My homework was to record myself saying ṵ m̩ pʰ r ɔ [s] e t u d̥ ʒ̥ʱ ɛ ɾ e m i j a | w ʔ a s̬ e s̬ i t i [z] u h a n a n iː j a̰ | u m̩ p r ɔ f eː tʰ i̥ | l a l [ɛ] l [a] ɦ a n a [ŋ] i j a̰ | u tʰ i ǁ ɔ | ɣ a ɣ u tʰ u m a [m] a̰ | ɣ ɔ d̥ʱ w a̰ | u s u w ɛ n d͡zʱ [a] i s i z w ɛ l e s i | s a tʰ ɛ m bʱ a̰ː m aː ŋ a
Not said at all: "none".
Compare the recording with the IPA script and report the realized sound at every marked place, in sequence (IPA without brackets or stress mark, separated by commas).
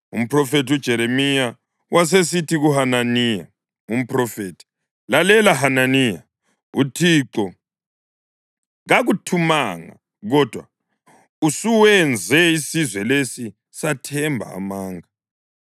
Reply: f, ɣ, ɛ, a, n, ŋ, ɛ